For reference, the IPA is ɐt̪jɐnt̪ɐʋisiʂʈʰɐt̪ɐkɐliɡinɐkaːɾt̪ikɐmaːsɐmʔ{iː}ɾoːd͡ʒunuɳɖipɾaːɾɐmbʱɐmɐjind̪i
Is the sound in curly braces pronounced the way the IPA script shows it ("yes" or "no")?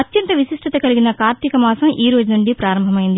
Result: yes